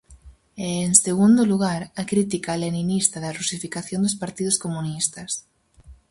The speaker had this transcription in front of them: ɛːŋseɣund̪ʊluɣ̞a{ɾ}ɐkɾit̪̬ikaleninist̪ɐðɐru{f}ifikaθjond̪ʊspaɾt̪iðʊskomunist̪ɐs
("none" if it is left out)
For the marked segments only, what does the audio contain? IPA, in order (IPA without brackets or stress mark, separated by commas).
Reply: ɾ, s